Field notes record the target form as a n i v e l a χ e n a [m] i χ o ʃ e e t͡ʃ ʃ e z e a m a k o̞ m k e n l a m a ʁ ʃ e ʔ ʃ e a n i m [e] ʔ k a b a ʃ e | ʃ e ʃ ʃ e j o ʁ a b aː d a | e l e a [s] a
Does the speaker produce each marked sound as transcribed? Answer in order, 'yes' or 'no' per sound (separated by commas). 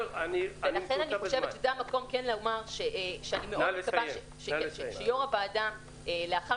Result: no, yes, no